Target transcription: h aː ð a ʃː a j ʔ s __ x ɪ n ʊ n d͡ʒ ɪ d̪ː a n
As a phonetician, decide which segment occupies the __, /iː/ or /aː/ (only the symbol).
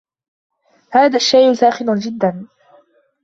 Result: aː